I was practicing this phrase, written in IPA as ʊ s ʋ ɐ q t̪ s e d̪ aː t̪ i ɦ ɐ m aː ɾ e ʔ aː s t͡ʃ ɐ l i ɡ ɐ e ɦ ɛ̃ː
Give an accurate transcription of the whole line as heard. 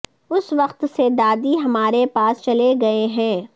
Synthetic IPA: ʊ s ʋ ɐ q t̪ s e d̪ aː d̪ i ɦ ɐ m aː ɾ e p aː s t͡ʃ ɐ l e ɡ ɐ e ɦ ɛ̃ː